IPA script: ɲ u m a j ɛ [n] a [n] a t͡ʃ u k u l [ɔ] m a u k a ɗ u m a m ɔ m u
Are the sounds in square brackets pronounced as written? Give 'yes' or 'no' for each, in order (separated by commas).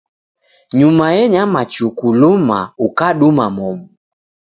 no, no, no